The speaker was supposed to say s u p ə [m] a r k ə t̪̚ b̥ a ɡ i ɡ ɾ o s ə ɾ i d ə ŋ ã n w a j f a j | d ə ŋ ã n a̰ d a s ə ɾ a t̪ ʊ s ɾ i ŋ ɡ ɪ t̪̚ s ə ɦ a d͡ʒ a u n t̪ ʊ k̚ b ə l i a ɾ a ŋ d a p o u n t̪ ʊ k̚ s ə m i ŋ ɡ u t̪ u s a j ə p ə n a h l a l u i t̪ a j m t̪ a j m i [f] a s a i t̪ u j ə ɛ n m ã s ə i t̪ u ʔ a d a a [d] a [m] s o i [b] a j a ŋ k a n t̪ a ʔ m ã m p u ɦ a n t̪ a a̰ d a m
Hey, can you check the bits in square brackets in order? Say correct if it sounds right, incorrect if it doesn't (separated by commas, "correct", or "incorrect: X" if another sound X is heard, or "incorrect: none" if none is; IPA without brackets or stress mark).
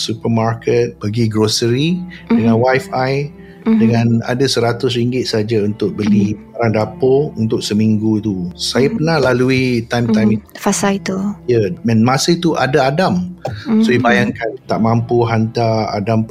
correct, correct, correct, correct, correct